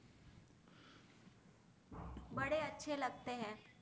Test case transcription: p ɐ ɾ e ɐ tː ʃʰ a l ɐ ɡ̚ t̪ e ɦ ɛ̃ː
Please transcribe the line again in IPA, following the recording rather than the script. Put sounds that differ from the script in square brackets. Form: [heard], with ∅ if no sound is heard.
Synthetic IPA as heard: [b] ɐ [ɽ] e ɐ tː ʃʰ [e] l ɐ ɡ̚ t̪ e ɦ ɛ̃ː